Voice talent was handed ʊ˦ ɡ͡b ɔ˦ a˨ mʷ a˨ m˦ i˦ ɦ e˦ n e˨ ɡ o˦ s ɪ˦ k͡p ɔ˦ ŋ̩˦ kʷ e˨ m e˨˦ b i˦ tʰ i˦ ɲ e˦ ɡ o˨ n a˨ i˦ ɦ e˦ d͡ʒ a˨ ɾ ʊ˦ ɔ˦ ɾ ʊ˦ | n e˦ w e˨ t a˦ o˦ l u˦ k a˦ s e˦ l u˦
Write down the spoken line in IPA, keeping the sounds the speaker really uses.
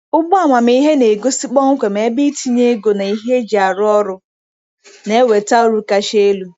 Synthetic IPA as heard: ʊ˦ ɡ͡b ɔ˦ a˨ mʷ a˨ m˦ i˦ ɦ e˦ n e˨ ɡ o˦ s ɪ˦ k͡p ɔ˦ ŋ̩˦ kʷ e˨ m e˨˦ b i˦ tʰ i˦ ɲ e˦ ɡ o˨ n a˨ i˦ ɦ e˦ d͡ʒ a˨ ɾ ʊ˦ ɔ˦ ɾ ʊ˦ | n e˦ w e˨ t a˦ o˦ ɾ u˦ k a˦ ʃ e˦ l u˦